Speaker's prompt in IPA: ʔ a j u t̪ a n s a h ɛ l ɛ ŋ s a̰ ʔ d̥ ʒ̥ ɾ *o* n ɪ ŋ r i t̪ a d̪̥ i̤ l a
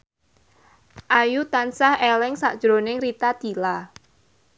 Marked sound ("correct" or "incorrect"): correct